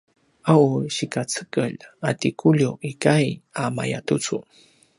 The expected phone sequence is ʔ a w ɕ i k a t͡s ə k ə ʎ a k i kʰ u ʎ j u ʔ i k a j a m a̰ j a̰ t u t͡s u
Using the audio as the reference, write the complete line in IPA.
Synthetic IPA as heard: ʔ a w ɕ i k a t͡s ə k ə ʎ a t i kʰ u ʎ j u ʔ i k a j a m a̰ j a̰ t u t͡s u